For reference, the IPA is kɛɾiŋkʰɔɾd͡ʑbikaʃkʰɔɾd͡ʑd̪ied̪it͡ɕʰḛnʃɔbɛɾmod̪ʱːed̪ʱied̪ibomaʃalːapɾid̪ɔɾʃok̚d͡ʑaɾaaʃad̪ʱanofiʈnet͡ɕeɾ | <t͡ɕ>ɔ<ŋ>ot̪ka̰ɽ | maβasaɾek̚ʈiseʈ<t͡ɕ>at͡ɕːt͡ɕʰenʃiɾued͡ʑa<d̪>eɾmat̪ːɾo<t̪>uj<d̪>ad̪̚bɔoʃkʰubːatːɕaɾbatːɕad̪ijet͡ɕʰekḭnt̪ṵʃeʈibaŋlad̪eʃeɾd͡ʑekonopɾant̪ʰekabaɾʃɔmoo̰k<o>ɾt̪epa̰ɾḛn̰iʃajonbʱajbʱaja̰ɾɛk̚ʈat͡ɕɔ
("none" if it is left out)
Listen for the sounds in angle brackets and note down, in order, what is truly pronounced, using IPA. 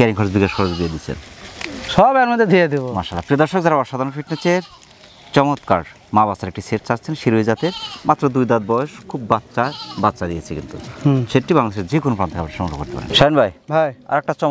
t͡ɕ, m, t͡ɕ, t̪, d̪, d̪, o

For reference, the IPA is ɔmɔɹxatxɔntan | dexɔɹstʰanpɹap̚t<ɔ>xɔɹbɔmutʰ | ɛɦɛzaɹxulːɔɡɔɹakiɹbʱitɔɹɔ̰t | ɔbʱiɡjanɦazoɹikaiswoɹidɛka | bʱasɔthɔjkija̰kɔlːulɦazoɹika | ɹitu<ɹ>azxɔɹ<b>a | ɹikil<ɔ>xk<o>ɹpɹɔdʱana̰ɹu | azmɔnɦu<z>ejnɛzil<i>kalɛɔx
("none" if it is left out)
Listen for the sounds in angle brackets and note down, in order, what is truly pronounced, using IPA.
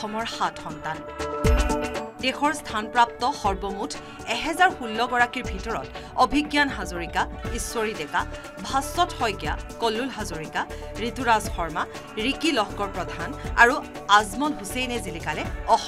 ɔ, ɹ, m, ɔ, ɔ, s, i

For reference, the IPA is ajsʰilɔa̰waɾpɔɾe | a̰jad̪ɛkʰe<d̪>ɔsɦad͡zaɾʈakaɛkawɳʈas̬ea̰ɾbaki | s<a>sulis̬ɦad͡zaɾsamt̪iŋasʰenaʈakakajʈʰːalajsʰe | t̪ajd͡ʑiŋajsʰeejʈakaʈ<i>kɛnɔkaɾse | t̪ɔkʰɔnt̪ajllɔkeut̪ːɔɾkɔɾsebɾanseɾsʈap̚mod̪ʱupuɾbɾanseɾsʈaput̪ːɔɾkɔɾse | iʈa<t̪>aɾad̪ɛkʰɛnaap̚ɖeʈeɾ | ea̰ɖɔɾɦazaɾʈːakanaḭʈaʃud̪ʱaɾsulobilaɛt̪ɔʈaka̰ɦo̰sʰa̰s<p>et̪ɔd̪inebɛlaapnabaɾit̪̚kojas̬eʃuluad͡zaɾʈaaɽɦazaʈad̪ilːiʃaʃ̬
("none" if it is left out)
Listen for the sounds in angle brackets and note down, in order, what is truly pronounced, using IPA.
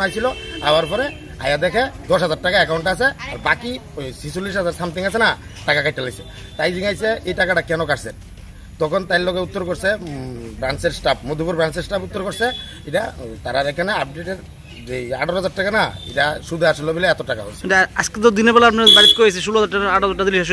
d̪, i, a, t̪, k

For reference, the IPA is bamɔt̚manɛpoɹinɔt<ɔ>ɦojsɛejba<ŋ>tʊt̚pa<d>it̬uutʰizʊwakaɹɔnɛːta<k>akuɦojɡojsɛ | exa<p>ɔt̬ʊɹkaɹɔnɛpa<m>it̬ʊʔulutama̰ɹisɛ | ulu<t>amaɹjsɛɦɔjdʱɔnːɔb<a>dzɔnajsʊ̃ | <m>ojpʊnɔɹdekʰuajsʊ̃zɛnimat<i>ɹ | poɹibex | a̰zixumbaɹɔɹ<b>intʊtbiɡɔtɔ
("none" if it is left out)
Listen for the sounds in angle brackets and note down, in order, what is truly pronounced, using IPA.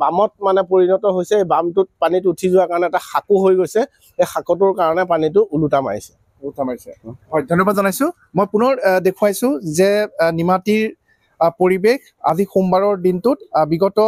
ɔ, m, n, x, k, n, t, a, m, i, d

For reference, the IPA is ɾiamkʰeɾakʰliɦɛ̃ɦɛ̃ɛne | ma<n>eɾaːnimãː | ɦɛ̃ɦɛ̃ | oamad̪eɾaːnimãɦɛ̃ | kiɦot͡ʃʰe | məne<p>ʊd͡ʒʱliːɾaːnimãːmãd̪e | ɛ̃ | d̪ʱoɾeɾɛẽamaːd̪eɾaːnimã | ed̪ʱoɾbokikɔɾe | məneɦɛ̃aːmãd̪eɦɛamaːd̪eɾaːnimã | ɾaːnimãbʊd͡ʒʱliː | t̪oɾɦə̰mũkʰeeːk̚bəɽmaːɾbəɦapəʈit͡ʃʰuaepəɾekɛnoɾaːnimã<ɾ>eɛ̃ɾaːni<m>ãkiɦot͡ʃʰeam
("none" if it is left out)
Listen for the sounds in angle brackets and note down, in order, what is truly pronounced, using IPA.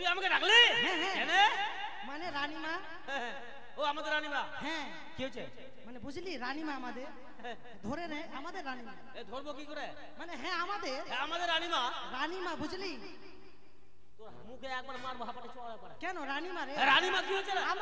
n, b, ɾ, m

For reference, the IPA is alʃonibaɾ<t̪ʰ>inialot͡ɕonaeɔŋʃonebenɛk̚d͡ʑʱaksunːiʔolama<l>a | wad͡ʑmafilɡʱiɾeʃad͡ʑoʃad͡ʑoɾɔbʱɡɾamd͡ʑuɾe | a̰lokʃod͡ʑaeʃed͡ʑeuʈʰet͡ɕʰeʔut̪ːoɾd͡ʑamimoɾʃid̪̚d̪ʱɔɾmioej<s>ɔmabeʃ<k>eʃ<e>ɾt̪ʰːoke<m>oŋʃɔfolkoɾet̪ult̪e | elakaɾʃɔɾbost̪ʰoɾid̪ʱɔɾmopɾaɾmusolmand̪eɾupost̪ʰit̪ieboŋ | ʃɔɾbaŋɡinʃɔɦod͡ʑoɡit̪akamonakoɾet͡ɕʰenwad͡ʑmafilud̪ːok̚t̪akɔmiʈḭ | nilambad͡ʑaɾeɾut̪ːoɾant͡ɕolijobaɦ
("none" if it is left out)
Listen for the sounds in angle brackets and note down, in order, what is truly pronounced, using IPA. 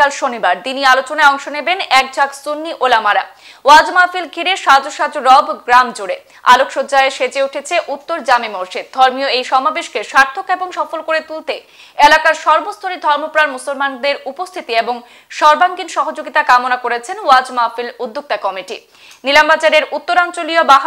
t̪, ɾ, ʃ, k, a, b

